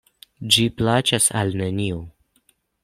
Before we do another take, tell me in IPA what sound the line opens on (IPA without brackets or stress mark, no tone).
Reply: d͡ʒ